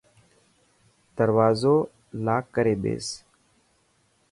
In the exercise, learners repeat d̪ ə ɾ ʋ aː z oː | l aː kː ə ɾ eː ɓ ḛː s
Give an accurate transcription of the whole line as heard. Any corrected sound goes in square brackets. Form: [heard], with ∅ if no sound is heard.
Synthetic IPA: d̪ ə ɾ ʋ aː z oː | l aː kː ə ɾ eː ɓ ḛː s